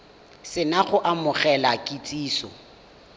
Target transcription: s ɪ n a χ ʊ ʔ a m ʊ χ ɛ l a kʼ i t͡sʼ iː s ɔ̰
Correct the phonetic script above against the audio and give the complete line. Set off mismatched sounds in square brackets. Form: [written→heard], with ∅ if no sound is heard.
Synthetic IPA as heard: s ɪ n a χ ʊ ʔ a m ʊ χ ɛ l a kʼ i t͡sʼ iː s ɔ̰